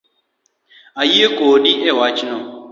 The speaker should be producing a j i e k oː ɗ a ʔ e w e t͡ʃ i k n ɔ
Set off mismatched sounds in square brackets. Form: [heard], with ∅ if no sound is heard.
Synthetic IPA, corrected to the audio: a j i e k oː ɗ [i] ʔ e w [a] t͡ʃ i [∅] n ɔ